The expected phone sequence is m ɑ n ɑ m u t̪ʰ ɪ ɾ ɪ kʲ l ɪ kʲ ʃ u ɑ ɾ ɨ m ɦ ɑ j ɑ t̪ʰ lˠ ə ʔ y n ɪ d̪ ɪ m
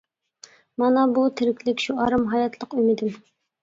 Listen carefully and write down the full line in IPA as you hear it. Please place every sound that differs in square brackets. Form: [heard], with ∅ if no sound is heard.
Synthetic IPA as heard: m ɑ n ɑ [b] u t̪ʰ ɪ ɾ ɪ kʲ l ɪ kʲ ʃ u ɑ ɾ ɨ m ɦ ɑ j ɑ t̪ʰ lˠ ə [q] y [m] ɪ d̪ ɪ m